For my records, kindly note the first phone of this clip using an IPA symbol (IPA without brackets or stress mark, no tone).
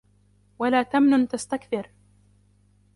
w